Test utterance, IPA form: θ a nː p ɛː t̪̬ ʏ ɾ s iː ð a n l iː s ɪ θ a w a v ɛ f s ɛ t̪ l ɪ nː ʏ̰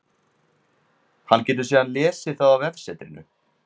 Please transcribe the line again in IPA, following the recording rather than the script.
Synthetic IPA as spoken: h a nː c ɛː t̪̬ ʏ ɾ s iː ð a n l ɛː s ɪ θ a w a v ɛ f s ɛ t̪ ɾ ɪ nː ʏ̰